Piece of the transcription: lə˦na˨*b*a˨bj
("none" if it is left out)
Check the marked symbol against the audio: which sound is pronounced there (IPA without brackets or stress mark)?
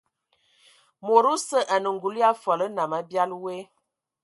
m